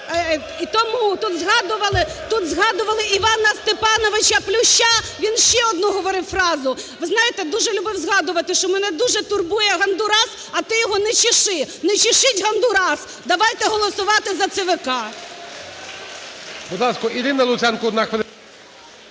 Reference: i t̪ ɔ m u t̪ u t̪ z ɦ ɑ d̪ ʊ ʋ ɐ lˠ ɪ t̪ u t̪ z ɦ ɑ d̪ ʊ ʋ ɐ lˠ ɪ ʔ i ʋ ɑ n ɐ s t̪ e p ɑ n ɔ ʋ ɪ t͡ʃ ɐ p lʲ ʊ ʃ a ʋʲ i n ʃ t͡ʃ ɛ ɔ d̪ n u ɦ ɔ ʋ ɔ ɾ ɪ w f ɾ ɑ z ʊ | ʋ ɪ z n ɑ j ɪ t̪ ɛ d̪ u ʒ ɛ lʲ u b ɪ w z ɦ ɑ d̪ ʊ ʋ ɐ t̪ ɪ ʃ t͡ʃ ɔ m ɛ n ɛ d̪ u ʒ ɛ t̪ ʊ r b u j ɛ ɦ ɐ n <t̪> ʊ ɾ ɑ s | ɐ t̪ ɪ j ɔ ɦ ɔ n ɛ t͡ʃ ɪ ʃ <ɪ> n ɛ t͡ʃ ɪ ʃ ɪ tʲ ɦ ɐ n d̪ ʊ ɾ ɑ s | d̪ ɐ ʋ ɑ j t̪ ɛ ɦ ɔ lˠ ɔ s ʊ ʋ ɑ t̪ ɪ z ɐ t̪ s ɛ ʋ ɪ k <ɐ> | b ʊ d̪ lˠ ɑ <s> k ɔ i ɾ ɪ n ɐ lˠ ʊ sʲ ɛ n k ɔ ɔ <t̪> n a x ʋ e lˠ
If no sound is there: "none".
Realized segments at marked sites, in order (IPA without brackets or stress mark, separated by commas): d̪, ɪ, ɑ, s, d̪